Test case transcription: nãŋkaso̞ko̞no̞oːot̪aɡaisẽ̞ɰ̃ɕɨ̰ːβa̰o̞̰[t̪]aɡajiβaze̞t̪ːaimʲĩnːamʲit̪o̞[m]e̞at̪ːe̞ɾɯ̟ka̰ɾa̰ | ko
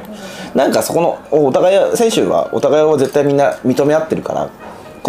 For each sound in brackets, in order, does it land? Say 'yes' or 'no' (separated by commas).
yes, yes